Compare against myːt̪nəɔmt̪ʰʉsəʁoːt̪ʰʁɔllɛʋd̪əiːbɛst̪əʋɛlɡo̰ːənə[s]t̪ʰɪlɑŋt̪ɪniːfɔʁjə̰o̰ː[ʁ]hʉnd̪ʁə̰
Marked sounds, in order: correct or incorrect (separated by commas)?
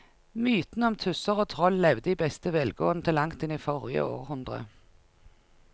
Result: incorrect, correct